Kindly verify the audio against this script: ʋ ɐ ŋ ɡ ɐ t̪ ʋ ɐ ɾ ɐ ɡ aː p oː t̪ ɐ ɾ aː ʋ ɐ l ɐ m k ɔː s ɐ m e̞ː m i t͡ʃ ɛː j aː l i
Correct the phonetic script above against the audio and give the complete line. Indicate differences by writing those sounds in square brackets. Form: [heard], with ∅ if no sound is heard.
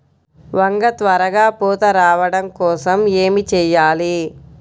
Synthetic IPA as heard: ʋ ɐ ŋ ɡ ɐ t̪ ʋ ɐ ɾ ɐ ɡ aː p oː t̪ ɐ ɾ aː ʋ ɐ [ɽ] ɐ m k ɔː s ɐ m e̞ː m i t͡ʃ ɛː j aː l i